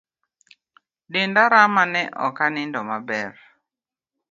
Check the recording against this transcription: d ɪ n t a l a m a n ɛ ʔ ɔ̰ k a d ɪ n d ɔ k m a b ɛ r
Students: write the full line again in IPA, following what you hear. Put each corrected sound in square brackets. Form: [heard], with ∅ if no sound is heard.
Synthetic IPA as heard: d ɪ n [d] a [ɾ] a m a n ɛ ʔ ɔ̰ k a [n] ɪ n d ɔ [∅] m a b ɛ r